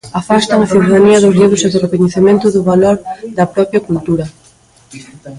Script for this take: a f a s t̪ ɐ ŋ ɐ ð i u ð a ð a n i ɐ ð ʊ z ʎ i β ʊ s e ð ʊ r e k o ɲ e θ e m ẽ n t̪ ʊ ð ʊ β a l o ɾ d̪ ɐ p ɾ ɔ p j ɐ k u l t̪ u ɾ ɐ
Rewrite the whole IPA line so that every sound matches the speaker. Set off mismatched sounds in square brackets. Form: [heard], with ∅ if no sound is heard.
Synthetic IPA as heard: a f a s t̪ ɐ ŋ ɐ [θ] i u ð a ð a n i ɐ ð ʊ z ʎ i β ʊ s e ð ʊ r e k o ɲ e θ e m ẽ n t̪ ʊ ð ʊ β a l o ɾ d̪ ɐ p ɾ ɔ p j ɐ k u l t̪ u ɾ ɐ